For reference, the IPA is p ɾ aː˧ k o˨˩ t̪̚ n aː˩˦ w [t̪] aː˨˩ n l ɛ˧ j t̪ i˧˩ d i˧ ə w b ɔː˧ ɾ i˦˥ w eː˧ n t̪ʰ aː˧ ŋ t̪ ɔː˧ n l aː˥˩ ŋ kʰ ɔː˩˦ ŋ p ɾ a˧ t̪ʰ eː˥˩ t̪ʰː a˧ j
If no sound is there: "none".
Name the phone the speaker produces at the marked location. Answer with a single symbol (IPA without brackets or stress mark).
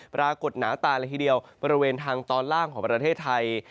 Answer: t̪